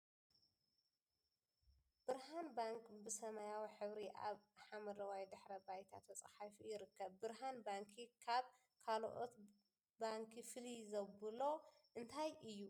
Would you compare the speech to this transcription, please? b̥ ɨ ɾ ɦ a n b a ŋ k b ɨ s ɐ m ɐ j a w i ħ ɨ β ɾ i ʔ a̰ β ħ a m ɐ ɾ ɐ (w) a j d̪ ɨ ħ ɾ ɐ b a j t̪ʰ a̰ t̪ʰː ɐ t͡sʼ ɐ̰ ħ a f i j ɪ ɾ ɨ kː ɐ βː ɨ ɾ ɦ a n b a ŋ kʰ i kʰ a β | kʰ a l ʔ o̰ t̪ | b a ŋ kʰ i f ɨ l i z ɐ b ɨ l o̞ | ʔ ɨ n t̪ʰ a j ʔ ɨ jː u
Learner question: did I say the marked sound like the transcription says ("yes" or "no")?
yes